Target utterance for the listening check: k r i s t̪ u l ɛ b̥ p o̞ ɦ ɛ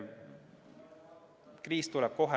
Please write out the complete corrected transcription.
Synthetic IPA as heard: k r iː s t̪ u l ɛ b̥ k o̞ ɦ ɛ